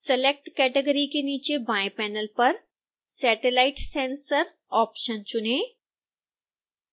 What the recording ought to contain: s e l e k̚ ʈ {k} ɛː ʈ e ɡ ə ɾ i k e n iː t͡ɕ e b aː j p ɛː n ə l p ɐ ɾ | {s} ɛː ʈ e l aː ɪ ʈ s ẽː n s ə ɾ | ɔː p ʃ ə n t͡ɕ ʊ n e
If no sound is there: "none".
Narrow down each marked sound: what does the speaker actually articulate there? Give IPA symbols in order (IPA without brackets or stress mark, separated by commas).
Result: k, s